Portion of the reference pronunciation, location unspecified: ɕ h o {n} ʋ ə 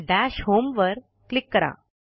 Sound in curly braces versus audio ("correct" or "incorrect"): incorrect